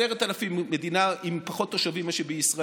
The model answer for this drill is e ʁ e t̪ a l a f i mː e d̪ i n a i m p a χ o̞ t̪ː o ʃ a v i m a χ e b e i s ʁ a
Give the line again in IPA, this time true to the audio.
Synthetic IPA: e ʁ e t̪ a l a f i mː e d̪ i n a i m p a χ o̞ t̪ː o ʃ a v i m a ʃ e b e i s ʁ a

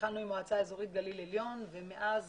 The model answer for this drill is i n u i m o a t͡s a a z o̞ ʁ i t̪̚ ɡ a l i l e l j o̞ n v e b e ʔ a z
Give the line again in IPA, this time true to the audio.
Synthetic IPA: a n u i m o a t͡s a e z o̞ ʁ i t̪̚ ɡ a l i l e l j o̞ n v e m e ʔ a z

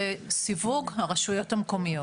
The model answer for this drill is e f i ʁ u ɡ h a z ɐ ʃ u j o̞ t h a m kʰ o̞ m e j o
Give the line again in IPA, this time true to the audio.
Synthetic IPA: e s i v u ɡ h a ʁ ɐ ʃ u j o̞ t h a m k o̞ m i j o

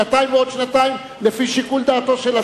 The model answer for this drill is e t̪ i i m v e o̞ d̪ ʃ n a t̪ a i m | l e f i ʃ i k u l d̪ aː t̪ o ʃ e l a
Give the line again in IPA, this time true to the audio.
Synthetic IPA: a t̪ a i m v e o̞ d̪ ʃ n a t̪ a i m | l e f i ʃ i k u l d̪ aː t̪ o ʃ e l a

